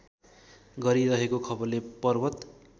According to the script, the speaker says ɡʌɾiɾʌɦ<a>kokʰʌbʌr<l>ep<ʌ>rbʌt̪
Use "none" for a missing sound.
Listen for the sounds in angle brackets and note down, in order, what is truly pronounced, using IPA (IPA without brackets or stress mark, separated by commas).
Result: e, l, ʌ